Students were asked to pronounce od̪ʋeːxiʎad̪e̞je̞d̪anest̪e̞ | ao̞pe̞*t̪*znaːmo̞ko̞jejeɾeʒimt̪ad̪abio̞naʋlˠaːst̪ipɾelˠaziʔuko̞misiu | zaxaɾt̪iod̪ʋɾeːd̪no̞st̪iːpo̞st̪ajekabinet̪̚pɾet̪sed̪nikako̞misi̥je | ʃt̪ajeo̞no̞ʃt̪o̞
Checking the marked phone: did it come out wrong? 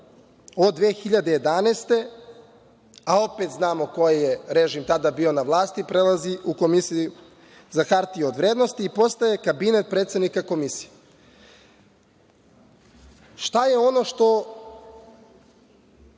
no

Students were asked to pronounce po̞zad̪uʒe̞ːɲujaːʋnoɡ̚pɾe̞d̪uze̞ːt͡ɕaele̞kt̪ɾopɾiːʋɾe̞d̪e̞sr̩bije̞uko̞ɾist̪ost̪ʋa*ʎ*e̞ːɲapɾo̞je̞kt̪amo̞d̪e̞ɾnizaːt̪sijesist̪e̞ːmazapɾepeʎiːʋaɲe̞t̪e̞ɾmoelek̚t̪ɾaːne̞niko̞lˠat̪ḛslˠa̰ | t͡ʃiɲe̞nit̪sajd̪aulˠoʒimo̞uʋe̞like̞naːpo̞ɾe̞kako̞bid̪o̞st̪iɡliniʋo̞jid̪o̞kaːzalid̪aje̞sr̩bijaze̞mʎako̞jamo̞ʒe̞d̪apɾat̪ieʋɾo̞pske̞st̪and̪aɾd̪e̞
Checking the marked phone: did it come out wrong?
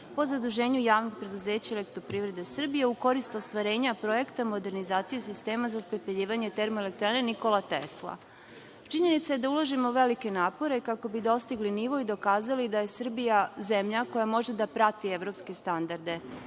yes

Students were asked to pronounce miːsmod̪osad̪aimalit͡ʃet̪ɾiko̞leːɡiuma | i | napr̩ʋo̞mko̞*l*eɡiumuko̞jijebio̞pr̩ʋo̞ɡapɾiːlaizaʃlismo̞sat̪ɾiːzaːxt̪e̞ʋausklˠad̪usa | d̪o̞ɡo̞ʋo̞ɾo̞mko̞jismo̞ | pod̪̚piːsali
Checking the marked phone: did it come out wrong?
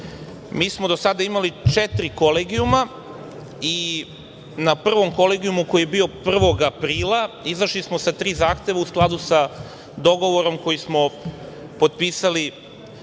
no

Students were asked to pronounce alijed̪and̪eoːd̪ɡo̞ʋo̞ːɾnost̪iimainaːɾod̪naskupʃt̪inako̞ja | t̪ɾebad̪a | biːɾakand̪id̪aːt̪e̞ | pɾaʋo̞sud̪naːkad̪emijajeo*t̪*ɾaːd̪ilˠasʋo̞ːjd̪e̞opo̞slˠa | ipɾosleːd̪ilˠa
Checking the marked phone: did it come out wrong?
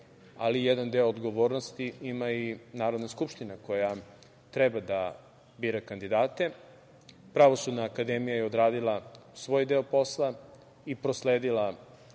yes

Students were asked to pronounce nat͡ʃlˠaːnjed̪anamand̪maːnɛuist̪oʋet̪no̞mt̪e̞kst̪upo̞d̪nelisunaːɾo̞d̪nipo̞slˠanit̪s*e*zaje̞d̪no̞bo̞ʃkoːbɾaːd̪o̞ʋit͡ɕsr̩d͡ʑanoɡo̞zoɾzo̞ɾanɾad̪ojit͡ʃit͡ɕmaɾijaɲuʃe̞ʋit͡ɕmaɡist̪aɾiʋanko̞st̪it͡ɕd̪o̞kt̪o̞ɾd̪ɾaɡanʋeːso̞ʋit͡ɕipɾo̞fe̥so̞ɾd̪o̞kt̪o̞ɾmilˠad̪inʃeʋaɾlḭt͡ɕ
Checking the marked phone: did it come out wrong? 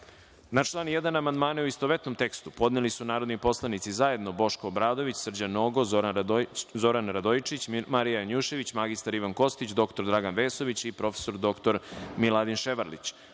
yes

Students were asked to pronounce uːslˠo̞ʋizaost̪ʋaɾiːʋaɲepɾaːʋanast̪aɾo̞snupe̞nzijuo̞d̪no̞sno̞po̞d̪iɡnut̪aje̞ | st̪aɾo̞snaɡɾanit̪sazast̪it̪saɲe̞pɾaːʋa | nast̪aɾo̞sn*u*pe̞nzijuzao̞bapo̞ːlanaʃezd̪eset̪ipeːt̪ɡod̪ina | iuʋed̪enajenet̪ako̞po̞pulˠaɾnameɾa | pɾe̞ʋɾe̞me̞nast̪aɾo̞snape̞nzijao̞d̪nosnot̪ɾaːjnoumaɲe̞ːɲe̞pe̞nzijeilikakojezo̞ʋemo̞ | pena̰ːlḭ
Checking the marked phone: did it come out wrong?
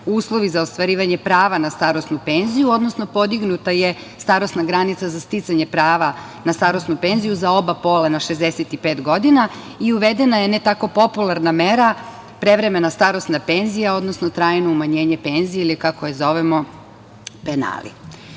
no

